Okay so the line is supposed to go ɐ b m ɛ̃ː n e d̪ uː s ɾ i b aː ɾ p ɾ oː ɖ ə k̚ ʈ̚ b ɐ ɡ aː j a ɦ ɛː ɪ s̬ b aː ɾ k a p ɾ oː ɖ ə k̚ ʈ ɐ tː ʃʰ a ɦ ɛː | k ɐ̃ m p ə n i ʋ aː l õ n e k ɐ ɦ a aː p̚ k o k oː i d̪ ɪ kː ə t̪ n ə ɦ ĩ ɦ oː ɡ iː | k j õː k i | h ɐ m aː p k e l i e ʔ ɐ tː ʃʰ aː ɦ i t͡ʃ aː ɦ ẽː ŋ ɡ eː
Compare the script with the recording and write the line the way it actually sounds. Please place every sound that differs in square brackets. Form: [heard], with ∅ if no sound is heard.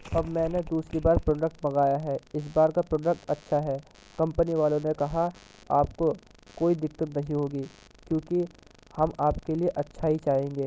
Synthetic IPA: ɐ b m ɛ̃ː n e d̪ uː s ɾ i b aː ɾ p ɾ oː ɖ ə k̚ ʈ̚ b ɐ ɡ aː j a ɦ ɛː ɪ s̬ b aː ɾ k a p ɾ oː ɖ ə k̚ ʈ ɐ tː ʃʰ a ɦ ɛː | k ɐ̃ m p ə n i ʋ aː l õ n e k ɐ ɦ a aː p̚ k o k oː i d̪ ɪ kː ə t̪ n [ɐ] ɦ ĩ ɦ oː ɡ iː | k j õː k i | h ɐ m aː p k e l i e ʔ ɐ tː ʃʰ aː ɦ i t͡ʃ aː ɦ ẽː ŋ ɡ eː